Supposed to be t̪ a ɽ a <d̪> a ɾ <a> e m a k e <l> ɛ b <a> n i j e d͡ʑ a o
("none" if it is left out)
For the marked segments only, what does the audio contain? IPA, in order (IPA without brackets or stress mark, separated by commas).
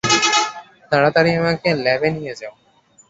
t̪, i, l, e